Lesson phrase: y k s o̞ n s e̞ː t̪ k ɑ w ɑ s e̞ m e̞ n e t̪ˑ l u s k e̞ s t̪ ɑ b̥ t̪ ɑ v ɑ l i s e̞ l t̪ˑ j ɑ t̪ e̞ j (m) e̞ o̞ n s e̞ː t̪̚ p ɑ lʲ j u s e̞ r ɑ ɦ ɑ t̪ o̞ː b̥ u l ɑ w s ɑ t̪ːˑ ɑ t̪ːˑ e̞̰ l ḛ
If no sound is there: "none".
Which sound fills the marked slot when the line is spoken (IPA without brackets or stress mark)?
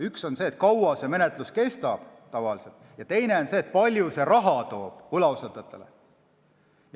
n